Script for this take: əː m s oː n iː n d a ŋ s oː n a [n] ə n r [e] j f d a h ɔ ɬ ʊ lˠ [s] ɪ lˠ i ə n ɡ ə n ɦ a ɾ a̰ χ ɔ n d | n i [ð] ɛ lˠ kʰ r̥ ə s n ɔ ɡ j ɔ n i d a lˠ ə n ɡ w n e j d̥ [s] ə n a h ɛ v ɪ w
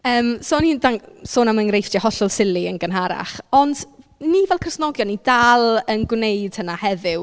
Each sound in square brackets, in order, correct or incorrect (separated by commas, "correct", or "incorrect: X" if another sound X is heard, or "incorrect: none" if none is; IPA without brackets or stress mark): incorrect: m, correct, correct, incorrect: v, incorrect: h